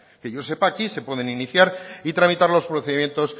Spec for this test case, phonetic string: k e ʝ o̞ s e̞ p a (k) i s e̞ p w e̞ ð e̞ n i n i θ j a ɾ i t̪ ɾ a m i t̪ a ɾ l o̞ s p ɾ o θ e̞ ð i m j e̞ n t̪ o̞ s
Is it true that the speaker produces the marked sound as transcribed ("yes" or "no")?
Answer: yes